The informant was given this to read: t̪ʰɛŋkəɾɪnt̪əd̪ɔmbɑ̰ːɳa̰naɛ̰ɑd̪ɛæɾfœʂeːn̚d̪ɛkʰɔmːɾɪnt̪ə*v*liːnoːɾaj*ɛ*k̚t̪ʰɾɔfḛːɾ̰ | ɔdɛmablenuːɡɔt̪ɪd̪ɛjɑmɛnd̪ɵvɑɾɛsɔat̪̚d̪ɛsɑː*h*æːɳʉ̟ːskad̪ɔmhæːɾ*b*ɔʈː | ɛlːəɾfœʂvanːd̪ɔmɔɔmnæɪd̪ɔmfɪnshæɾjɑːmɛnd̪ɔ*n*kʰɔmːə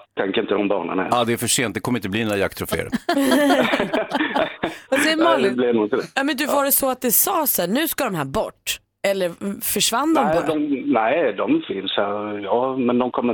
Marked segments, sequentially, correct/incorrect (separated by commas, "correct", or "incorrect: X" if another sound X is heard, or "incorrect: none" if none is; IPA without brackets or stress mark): incorrect: b, incorrect: a, incorrect: s, correct, incorrect: m